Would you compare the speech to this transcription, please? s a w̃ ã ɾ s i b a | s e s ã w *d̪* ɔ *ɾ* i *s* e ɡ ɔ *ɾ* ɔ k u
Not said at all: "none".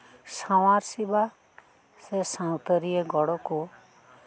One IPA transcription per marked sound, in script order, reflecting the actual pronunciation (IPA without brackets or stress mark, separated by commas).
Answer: t̪, ɾ, none, ɽ